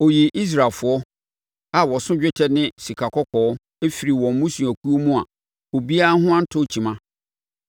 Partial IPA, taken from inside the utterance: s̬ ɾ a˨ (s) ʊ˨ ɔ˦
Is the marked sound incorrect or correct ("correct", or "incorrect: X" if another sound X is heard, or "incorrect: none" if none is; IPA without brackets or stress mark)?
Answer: incorrect: f